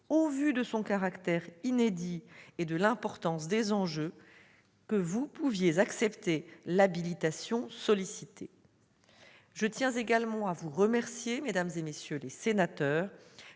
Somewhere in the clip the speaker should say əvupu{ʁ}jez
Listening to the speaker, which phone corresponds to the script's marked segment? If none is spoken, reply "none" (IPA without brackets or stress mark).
v